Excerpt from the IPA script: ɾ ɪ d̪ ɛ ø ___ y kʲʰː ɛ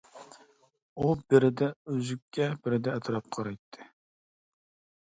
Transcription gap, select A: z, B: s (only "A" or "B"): A